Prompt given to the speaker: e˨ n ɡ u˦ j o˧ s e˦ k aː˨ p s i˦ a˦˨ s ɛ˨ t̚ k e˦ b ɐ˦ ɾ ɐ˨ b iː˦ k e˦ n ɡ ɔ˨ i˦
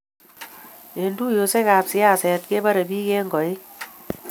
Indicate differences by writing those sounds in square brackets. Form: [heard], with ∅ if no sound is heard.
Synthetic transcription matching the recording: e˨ n [d] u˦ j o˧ s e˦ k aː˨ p s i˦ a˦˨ s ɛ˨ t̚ k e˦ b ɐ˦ ɾ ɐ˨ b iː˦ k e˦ [ŋ] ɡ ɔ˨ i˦